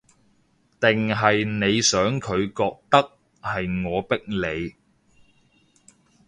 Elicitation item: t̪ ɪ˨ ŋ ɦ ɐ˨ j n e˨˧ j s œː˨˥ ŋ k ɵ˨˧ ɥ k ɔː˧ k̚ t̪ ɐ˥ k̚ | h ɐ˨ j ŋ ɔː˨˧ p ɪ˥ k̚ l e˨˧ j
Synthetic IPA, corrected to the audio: t̪ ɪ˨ ŋ ɦ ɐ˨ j n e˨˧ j s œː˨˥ ŋ kʰ ɵ˨˧ ɥ k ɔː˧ k̚ t̪ ɐ˥ k̚ | h ɐ˨ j ŋ ɔː˨˧ p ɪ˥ k̚ l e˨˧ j